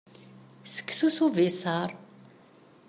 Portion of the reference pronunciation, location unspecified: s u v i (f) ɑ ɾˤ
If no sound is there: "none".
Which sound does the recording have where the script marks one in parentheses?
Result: s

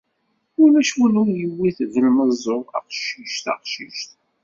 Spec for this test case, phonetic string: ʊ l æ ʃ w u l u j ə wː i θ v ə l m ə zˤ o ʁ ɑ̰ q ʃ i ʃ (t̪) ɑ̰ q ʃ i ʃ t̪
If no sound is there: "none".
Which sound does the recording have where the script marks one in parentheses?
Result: t̪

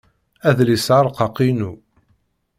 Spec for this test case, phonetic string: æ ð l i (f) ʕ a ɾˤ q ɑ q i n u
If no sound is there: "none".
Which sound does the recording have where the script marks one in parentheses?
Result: s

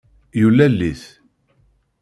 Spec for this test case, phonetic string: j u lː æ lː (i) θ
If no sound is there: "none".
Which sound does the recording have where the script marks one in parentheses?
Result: i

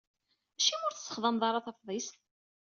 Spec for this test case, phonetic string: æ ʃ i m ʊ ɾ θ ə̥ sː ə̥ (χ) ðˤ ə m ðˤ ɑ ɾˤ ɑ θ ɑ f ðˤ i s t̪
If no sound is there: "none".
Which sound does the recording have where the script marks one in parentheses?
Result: χ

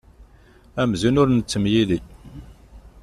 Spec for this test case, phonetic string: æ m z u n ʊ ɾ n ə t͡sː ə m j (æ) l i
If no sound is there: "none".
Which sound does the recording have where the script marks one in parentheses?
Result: i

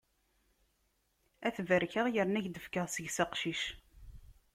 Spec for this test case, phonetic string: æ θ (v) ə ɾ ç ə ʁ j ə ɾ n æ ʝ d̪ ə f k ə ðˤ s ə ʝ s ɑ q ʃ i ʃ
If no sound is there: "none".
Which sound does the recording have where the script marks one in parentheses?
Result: v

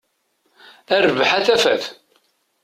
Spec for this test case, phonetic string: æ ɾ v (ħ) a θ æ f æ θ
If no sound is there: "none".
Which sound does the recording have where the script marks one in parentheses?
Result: ħ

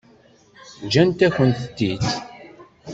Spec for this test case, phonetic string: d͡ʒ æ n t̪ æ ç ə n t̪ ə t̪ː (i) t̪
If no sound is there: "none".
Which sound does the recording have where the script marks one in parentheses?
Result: i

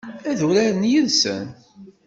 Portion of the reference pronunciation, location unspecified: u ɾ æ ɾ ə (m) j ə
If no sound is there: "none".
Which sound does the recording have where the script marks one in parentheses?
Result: n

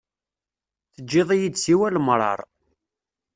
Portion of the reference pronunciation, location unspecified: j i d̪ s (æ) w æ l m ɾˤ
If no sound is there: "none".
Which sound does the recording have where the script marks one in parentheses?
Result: i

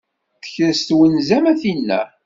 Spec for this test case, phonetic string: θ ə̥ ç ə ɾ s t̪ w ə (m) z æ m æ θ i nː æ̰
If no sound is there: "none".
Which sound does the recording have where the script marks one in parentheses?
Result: n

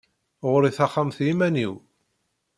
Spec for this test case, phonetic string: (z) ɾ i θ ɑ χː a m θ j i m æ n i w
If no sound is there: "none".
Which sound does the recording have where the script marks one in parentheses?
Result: ʁ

